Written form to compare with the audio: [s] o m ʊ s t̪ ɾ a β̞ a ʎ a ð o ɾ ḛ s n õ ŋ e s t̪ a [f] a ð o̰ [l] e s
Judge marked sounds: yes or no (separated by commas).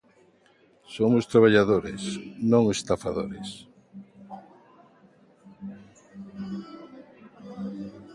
yes, yes, no